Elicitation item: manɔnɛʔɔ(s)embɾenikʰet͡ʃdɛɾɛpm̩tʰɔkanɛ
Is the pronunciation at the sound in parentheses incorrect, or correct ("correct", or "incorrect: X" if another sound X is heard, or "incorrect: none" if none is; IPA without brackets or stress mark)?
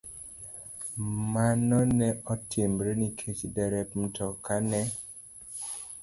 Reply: incorrect: t